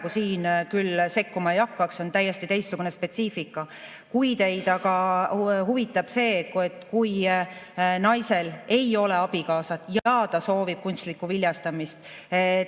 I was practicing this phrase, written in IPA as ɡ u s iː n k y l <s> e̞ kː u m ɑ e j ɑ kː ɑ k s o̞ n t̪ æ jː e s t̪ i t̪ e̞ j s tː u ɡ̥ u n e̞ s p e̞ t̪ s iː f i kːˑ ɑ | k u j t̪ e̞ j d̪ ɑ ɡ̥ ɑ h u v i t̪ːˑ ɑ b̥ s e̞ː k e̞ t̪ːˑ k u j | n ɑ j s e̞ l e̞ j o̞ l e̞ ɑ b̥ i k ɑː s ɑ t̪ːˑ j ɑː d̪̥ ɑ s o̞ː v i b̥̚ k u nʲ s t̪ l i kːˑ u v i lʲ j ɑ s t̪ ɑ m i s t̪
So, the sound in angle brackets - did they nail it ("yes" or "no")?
yes